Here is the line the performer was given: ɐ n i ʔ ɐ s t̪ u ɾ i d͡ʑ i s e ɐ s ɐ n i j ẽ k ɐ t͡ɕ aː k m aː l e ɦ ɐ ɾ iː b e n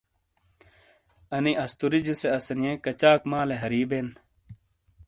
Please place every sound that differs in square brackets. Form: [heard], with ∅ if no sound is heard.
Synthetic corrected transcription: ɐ n i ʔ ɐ s t̪ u ɾ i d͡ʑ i s e ɐ s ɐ n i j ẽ k ɐ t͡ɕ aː k m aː l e ɦ ɐ ɾ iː b e n